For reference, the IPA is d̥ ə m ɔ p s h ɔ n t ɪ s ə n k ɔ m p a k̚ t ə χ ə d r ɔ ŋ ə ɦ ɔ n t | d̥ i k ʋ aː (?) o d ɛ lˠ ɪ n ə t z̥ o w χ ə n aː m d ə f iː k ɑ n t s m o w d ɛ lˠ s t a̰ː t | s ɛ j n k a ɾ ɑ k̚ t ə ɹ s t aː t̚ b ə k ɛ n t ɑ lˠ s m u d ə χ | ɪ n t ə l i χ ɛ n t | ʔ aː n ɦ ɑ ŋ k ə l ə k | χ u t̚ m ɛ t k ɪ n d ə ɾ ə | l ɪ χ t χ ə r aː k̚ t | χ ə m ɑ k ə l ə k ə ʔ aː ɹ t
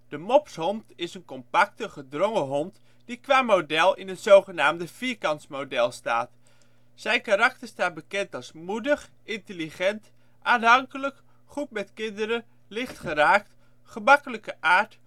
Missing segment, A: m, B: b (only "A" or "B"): A